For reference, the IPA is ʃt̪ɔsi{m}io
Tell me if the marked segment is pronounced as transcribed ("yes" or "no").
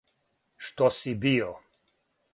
no